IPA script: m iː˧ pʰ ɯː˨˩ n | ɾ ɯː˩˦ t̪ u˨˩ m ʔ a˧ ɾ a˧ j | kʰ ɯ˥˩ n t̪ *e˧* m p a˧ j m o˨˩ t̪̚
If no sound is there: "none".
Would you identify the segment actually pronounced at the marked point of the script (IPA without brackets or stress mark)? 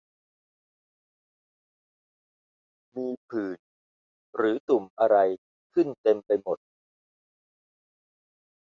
e˧